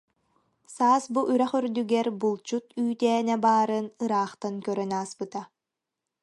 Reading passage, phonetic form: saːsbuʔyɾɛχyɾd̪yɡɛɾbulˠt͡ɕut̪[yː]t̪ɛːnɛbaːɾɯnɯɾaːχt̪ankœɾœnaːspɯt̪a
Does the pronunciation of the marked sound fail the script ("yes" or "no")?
no